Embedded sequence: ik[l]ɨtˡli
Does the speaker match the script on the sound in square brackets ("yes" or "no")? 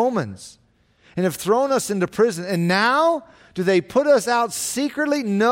no